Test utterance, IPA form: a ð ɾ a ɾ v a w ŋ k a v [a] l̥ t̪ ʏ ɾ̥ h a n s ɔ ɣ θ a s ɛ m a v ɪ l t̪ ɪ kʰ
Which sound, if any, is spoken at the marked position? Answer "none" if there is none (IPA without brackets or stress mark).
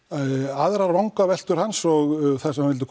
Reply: ɛ